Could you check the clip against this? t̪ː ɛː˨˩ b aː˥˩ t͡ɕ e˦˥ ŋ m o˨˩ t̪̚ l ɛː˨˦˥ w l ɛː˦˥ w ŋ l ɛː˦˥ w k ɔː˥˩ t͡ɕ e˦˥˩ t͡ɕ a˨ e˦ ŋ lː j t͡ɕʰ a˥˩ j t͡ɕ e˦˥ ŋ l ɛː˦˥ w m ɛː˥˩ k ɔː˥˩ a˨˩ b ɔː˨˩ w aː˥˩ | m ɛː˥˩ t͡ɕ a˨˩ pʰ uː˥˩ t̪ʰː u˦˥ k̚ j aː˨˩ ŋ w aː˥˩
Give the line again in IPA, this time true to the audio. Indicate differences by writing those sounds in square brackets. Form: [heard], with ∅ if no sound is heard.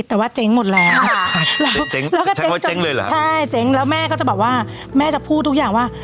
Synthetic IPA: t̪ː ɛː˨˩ [w] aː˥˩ t͡ɕ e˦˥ ŋ m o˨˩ t̪̚ l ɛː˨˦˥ w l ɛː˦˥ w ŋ l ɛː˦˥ w k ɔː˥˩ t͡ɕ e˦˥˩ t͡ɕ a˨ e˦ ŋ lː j t͡ɕʰ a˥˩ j t͡ɕ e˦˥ ŋ l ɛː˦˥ w m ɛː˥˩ k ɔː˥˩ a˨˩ b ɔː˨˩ w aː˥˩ | m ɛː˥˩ t͡ɕ a˨˩ pʰ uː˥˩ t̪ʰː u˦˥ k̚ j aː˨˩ ŋ w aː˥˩